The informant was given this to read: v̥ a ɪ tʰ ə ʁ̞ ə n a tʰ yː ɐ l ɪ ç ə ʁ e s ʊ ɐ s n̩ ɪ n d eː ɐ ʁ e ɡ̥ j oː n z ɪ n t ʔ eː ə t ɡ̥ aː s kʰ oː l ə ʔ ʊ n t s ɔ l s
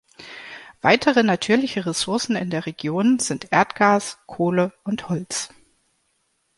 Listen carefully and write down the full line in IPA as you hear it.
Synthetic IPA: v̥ a ɪ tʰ ə ʁ̞ ə n a tʰ yː ɐ l ɪ ç ə ʁ e s ʊ ɐ s n̩ ɪ n d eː ɐ ʁ e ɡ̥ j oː n z ɪ n t ʔ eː ɐ t ɡ̥ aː s kʰ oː l ə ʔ ʊ n t h ɔ l t͡s

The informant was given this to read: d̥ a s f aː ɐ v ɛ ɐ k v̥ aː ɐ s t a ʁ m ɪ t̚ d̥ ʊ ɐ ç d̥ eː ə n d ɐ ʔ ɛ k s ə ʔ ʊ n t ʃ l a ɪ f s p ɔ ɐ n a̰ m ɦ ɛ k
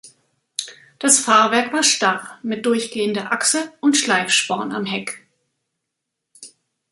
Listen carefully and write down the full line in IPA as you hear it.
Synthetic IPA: d̥ a s f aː ɐ v ɛ ɐ k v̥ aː ɐ ʃ t a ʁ m ɪ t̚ d̥ ʊ ɐ ç ɡ̥ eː ə n d ɐ ʔ a k s ə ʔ ʊ n t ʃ l a ɪ f ʃ p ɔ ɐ n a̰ m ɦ ɛ k

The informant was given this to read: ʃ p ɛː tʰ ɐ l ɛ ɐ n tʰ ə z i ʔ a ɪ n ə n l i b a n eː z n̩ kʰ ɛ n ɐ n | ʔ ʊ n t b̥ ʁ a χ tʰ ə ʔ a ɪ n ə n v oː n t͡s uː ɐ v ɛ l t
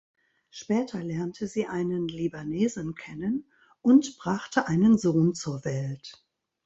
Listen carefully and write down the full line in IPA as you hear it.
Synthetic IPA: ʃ p ɛː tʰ ɐ l ɛ ɐ n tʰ ə z iː ʔ a ɪ n ə n l i b a n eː z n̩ kʰ ɛ n ə n | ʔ ʊ n t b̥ ʁ a χ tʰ ə ʔ a ɪ n ə n z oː n t͡s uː ɐ v ɛ l t

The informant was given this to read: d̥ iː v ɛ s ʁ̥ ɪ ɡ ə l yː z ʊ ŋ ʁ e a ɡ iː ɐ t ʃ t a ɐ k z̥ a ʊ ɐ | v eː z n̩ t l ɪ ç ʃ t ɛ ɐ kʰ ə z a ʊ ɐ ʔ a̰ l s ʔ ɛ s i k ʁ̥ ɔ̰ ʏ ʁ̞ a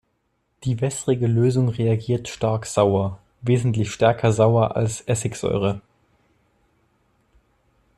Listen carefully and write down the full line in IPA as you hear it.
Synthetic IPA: d̥ iː v ɛ s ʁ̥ ɪ ɡ ə l øː z ʊ ŋ ʁ e a ɡ iː ɐ t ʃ t a ɐ k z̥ a ʊ ɐ | v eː z n̩ t l ɪ ç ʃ t ɛ ɐ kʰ ɐ z a ʊ ɐ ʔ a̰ l s ʔ ɛ s ɪ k z̥ ɔ̰ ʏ ʁ̞ ə

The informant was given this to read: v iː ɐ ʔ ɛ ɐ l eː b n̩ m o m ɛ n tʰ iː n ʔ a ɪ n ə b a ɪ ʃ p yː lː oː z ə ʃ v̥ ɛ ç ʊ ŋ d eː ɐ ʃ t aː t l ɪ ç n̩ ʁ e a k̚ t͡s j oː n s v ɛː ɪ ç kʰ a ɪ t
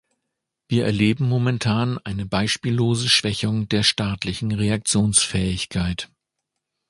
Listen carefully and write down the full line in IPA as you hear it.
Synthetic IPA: v iː ɐ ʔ ɛ ɐ l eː b m̩ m o m ɛ n tʰ aː n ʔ a ɪ n ə b a ɪ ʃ p iː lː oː z ə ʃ v̥ ɛ ç ʊ ŋ d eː ɐ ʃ t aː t l ɪ ç n̩ ʁ e a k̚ t͡s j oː n s f ɛː ɪ ç kʰ a ɪ t

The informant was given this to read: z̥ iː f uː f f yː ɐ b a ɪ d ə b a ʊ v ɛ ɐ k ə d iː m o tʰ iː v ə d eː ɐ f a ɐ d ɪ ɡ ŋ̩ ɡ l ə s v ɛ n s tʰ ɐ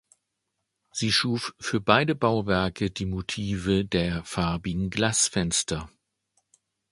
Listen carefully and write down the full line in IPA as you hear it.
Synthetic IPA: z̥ iː ʃ uː f f yː ɐ b a ɪ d ə b a ʊ v ɛ ɐ k ə d iː m o tʰ iː v ə d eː ɐ f a ɐ b ɪ ɡ ŋ̩ ɡ l a s f ɛ n s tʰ ɐ

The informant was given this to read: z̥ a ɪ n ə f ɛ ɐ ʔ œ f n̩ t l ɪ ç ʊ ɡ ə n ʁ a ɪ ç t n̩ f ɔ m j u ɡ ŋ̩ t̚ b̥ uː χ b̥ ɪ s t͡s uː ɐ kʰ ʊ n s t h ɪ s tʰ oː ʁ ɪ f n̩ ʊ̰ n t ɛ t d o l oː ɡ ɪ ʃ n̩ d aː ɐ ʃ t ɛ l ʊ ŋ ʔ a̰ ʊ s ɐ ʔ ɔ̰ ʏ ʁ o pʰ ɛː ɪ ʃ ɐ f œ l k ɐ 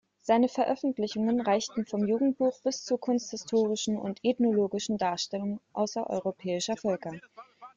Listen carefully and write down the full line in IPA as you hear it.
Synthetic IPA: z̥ a ɪ n ə f ɛ ɐ ʔ œ f n̩ t l ɪ ç ʊ ŋ ə n ʁ a ɪ ç t n̩ f ɔ m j uː ɡ ŋ̩ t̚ b̥ uː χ b̥ ɪ s t͡s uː ɐ kʰ ʊ n s t h ɪ s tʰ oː ʁ ɪ ʃ n̩ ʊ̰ n t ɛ t n o l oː ɡ ɪ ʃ n̩ d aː ɐ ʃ t ɛ l ʊ ŋ ʔ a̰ ʊ s ɐ ʔ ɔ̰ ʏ ʁ o pʰ ɛː ɪ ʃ ɐ f œ l k ɐ

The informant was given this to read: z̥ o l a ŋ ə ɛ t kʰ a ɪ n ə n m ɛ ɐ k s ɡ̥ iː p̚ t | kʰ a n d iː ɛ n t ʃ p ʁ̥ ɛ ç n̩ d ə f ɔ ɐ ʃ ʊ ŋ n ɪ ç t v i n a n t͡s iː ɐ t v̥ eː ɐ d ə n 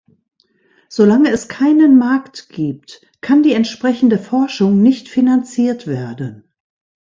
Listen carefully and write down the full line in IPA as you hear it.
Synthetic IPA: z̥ o l a ŋ ə ɛ s kʰ a ɪ n ə n m a ɐ k t ɡ̥ iː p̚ t | kʰ a n d iː ɛ n t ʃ p ʁ̥ ɛ ç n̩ d ə f ɔ ɐ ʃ ʊ ŋ n ɪ ç t f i n a n t͡s iː ɐ t v̥ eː ɐ d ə n

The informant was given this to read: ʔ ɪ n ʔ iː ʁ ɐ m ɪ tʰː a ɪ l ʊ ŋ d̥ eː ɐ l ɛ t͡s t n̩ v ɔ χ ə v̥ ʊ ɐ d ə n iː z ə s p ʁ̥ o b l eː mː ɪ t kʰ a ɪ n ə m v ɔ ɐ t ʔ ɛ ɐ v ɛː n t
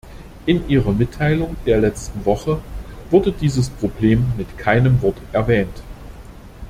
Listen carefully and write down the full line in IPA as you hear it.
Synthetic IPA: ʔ ɪ n ʔ iː ʁ ɐ m ɪ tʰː a ɪ l ʊ ŋ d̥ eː ɐ l ɛ t͡s t n̩ v ɔ χ ə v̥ ʊ ɐ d ə d iː z ə s p ʁ̥ o b l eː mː ɪ t kʰ a ɪ n ə m v ɔ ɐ t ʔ ɛ ɐ v ɛː n t

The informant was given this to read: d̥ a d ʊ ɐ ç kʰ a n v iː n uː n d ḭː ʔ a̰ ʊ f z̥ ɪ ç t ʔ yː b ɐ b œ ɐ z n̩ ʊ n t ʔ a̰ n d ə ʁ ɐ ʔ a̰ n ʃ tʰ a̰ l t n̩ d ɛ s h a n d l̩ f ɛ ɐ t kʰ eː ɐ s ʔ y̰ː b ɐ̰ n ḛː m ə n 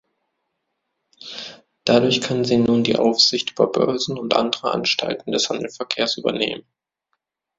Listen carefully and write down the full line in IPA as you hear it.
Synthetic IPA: d̥ a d ʊ ɐ ç kʰ a n z iː n uː n d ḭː ʔ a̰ ʊ f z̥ ɪ ç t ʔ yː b ɐ b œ ɐ z n̩ ʊ n t ʔ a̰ n d ə ʁ ə ʔ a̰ n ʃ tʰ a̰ l t n̩ d ɛ s h a n d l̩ f ɛ ɐ kʰ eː ɐ s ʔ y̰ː b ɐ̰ n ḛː m ə n

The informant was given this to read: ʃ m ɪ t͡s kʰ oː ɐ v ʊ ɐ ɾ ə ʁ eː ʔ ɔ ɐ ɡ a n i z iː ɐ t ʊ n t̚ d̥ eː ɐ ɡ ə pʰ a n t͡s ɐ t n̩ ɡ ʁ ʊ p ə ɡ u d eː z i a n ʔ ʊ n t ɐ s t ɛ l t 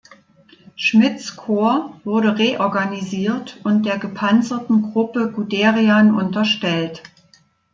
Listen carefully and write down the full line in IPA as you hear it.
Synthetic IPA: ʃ m ɪ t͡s kʰ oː ɐ v ʊ ɐ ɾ ə ʁ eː ʔ ɔ ɐ ɡ a n i z iː ɐ t ʊ n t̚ d̥ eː ɐ ɡ ə pʰ a n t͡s ɐ t n̩ ɡ ʁ ʊ p ə ɡ u d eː ʁ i a n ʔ ʊ n t ɐ ʃ t ɛ l t

